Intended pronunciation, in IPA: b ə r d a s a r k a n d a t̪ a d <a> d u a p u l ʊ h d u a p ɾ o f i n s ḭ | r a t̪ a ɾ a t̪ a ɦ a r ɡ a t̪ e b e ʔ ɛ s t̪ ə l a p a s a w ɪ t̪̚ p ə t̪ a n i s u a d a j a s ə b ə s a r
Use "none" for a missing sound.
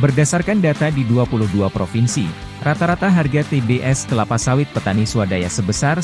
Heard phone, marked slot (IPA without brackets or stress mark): i